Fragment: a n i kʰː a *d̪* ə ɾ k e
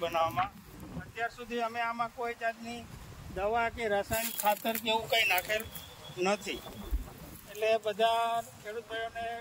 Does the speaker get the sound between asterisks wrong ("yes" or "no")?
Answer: yes